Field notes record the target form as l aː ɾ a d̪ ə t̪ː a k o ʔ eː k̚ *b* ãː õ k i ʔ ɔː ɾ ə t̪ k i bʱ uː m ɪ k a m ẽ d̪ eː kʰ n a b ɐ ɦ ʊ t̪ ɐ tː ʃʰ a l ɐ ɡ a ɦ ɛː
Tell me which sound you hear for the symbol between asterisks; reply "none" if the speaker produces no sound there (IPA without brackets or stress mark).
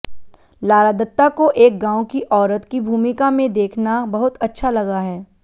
ɡ